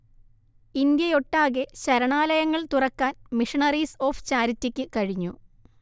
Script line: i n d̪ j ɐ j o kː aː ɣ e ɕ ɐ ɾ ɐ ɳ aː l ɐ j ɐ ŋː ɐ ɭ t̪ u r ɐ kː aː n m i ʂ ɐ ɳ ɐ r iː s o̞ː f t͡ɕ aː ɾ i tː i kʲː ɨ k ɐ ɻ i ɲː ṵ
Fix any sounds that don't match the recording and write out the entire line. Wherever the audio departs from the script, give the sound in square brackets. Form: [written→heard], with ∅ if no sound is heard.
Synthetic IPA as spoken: i n d̪ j ɐ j o [kː→ʈː] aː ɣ e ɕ ɐ ɾ ɐ ɳ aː l ɐ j ɐ ŋː ɐ ɭ t̪ u r ɐ kː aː n m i ʂ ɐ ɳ ɐ r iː s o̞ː f t͡ɕ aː ɾ i tː i kʲː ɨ k ɐ ɻ i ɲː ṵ